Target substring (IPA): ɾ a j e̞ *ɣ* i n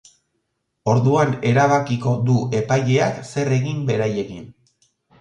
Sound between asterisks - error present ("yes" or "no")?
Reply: no